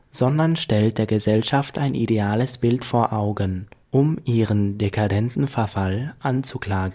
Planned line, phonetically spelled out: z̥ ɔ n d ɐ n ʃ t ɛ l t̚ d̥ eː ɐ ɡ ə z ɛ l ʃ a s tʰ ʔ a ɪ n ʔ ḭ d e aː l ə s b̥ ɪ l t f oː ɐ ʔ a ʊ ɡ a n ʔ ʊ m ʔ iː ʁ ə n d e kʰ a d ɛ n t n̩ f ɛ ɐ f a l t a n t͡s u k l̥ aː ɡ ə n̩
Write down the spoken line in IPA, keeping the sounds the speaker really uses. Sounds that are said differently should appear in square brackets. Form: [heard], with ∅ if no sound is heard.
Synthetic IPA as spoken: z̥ ɔ n d ɐ n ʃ t ɛ l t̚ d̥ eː ɐ ɡ ə z ɛ l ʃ a [f] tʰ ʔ a ɪ n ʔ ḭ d e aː l ə s b̥ ɪ l t f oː ɐ ʔ a ʊ ɡ [ə] n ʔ ʊ m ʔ iː ʁ ə n d e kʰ a d ɛ n t n̩ f ɛ ɐ f a l [ʔ] a n t͡s u k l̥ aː ɡ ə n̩